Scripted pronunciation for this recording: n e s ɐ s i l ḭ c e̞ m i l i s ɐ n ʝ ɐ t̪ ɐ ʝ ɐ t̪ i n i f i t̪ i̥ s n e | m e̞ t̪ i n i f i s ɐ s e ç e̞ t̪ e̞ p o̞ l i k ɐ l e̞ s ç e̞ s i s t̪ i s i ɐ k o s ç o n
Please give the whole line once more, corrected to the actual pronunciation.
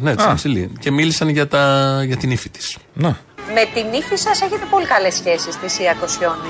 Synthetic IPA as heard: n e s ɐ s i l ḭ c e̞ m i l i s ɐ n ʝ ɐ t̪ ɐ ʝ ɐ t̪ i n i f i t̪ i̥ s n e | m e̞ t̪ i n i f i s ɐ s e ç e̞ t̪ e̞ p o̞ l i k ɐ l e̞ s ç e̞ s i s t̪ i s i ɐ k o s ç o n